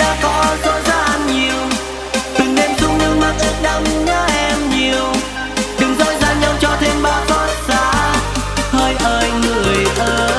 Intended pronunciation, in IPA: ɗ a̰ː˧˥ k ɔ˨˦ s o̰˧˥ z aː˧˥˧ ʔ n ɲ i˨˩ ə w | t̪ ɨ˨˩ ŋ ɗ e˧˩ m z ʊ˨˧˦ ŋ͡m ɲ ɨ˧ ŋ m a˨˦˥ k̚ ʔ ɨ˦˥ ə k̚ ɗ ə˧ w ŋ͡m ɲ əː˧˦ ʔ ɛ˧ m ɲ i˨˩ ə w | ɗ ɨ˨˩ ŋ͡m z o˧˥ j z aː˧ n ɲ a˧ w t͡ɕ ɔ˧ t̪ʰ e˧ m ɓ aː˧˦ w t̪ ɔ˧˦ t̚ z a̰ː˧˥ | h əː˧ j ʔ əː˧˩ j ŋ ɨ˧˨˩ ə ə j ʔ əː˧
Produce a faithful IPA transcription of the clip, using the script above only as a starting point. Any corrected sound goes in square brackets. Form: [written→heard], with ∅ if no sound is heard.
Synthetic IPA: ɗ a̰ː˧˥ k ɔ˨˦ [s→z] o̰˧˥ z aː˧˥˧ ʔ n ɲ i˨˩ ə w | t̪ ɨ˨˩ ŋ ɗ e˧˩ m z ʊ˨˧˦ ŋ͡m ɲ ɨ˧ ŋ m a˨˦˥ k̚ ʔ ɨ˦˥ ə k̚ ɗ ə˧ w ŋ͡m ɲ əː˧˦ ʔ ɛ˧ m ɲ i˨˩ ə w | ɗ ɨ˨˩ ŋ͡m z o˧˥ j z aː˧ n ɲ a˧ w t͡ɕ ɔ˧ t̪ʰ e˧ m ɓ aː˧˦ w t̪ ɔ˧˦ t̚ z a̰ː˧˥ | h əː˧ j ʔ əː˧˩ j ŋ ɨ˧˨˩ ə ə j ʔ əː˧

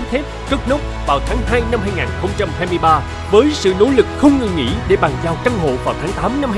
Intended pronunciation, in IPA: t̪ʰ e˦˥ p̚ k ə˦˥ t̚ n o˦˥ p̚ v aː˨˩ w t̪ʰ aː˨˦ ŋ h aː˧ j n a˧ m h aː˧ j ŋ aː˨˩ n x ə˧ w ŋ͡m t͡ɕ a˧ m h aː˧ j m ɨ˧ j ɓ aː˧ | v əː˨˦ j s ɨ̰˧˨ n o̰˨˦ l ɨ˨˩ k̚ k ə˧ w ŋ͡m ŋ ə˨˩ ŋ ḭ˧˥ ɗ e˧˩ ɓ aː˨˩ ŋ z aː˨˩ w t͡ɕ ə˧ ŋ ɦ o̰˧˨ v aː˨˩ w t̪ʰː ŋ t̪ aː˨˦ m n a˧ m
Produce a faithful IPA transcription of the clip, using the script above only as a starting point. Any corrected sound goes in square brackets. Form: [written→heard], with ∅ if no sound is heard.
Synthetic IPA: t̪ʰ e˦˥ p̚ k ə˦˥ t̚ n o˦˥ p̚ v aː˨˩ w t̪ʰ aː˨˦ ŋ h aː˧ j n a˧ m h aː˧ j ŋ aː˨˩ n x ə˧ w ŋ͡m t͡ɕ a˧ m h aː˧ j m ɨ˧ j ɓ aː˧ | v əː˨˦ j s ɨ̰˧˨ n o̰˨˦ l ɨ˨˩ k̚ [k→x] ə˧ w ŋ͡m ŋ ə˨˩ ŋ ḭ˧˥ ɗ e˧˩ ɓ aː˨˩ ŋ z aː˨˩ w t͡ɕ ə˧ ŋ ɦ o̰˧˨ v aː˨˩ w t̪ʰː ŋ t̪ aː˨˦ m n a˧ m

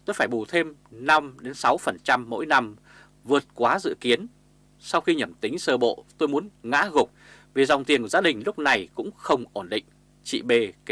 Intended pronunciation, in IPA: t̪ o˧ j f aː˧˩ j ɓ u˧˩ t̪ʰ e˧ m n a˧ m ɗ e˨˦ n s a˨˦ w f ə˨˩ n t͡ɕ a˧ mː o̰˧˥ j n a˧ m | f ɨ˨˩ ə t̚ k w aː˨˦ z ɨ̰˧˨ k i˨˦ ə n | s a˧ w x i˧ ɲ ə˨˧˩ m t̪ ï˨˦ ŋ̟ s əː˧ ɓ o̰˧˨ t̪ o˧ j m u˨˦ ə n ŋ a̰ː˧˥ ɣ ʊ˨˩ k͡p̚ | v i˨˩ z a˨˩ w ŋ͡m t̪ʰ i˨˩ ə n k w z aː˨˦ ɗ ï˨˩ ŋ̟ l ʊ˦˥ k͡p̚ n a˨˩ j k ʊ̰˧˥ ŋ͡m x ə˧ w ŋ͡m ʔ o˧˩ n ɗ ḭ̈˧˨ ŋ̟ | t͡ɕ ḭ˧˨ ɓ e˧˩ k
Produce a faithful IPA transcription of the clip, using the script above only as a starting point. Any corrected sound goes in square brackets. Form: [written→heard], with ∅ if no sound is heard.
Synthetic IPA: t̪ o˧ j f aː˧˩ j ɓ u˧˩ t̪ʰ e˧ m n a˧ m ɗ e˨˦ n s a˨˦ w f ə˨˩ n t͡ɕ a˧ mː o̰˧˥ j n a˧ m | [f→v] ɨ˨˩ ə t̚ k w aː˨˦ z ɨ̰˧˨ k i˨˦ ə n | s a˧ w x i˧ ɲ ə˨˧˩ m t̪ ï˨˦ ŋ̟ s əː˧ ɓ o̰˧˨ t̪ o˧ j m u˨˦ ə n ŋ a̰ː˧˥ ɣ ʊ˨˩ k͡p̚ | v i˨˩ z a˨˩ w ŋ͡m [t̪ʰ→t̪] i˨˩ ə n k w z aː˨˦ ɗ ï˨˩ ŋ̟ l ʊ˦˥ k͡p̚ n a˨˩ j k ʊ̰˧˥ ŋ͡m x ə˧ w ŋ͡m ʔ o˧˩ n ɗ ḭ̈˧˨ ŋ̟ | t͡ɕ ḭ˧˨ ɓ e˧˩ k

